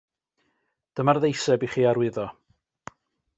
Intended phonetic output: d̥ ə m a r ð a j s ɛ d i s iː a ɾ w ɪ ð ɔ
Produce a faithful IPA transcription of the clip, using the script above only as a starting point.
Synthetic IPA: d̥ ə m a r ð e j s ɛ b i χ iː a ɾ w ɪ ð ɔ